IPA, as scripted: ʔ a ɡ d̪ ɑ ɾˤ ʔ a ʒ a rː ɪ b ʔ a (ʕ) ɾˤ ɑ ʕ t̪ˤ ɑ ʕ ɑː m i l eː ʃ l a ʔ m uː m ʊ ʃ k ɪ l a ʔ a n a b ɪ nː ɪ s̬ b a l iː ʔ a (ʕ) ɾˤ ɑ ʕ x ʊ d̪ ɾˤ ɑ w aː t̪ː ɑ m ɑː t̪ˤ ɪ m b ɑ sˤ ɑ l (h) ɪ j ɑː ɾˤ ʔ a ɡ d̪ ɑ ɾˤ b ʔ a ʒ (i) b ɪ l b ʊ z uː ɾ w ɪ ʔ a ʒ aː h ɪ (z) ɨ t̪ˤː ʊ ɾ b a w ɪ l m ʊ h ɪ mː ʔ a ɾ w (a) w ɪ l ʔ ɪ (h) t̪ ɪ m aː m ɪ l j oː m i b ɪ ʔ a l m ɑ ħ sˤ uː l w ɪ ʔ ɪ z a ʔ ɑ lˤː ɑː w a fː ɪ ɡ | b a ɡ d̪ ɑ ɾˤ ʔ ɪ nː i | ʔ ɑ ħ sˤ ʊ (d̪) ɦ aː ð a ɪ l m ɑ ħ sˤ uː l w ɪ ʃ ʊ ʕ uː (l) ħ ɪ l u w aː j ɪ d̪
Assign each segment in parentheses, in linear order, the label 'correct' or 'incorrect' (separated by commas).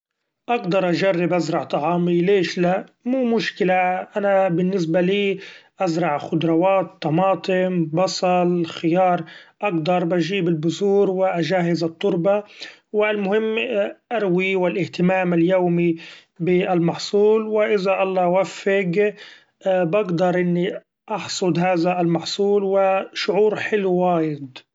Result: incorrect, incorrect, incorrect, incorrect, correct, incorrect, correct, correct, incorrect